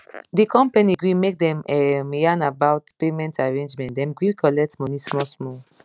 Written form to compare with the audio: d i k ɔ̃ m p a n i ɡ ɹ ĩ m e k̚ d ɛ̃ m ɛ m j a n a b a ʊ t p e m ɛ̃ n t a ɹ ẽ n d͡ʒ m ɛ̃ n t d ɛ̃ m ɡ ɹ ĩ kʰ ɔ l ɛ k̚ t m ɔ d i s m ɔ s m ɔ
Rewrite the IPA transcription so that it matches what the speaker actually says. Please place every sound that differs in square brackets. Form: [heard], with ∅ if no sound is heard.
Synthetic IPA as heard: d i k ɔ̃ m p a n i ɡ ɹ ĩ m e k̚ d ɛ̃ m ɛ m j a n a b a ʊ t p e m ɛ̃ n t a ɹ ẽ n d͡ʒ m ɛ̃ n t d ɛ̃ m ɡ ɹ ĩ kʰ ɔ l ɛ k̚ t m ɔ [n] i s m ɔ s m ɔ